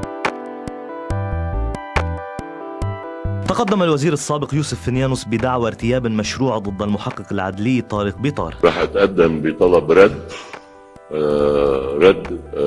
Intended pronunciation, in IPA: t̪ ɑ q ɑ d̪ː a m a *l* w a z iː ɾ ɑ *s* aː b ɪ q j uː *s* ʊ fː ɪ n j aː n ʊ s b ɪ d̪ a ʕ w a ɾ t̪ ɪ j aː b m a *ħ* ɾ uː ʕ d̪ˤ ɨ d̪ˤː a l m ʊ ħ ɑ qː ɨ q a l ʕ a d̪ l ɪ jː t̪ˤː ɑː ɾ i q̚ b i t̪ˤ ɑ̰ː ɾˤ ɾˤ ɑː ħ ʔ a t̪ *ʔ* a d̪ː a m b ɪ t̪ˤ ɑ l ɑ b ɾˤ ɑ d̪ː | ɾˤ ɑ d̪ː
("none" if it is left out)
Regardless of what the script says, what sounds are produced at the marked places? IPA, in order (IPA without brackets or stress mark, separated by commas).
l, sː, s, ʃ, ʔ